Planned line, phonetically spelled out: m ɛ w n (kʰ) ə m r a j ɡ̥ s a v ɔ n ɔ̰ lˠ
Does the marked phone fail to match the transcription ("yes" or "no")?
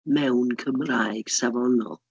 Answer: no